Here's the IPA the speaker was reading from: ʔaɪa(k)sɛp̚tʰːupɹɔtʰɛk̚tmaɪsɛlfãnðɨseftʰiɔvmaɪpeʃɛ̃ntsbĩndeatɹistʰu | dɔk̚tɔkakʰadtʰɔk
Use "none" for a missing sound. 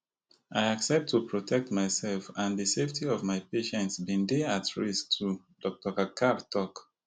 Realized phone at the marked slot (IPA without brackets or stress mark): k